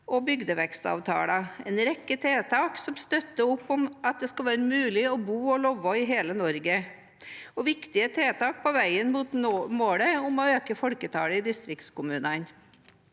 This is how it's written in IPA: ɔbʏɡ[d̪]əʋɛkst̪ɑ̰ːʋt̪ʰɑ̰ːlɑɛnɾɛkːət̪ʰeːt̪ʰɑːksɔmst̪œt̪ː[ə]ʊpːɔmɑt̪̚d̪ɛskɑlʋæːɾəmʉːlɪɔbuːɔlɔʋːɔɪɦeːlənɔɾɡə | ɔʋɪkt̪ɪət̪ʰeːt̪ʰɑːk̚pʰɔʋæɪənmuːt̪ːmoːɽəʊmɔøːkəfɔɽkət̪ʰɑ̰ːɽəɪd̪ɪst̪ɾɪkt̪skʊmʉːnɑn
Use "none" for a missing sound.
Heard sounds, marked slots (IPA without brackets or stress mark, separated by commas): d̪, ə